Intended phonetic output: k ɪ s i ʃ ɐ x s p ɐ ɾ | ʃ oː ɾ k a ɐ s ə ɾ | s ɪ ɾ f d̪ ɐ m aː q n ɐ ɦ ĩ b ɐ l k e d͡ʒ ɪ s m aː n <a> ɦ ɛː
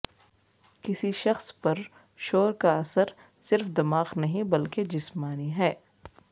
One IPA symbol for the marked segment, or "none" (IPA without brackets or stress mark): i